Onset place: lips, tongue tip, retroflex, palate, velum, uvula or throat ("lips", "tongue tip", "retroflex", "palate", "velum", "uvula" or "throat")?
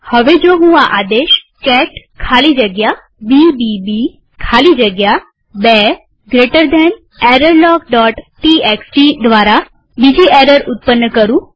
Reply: throat